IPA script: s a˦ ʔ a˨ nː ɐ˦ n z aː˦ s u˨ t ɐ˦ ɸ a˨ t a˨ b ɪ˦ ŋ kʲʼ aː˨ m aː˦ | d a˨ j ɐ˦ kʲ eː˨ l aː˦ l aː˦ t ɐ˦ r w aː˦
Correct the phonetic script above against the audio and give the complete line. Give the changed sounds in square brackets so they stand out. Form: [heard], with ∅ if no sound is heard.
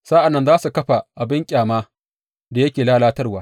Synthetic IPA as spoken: s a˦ ʔ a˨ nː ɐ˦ n z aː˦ s u˨ [k] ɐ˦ ɸ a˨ [ʔ] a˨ b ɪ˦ ŋ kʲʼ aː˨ m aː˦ | d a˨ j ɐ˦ kʲ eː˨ l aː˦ l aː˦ t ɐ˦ r w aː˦